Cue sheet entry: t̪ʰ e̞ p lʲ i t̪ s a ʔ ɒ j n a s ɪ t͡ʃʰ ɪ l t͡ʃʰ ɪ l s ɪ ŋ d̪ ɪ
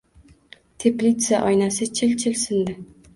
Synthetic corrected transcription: t̪ʰ e̞ p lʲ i t̪ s a ʔ ɒ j n a s ɪ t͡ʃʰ ɪ l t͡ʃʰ ɪ l s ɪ n d̪ ɪ

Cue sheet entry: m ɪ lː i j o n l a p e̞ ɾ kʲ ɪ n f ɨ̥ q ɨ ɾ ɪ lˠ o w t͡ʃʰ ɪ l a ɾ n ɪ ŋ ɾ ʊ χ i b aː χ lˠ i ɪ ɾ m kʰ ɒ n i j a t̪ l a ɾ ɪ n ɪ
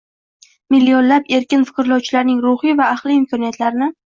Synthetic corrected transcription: m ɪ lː i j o n l a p e̞ ɾ kʲ ɪ n f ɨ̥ q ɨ ɾ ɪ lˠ ɒ w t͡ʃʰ ɪ l a ɾ n ɪ ŋ ɾ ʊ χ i v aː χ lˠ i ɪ m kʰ ɒ n i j a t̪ l a ɾ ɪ n ɪ

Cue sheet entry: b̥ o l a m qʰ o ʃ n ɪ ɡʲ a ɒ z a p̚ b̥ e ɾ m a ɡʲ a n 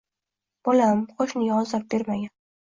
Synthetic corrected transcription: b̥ o l a m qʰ o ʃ n ɪ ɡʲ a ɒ z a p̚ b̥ e ɾ m a ɡʲ a n

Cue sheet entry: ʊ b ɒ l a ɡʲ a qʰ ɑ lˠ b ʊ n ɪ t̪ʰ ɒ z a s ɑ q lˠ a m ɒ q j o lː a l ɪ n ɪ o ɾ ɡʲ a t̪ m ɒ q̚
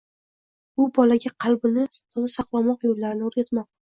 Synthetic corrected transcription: ʊ b ɒ l a ɡʲ a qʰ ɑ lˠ b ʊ n ɪ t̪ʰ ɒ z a s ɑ q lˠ a m ɒ q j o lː a ɾ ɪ n ɪ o ɾ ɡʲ a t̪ m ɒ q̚

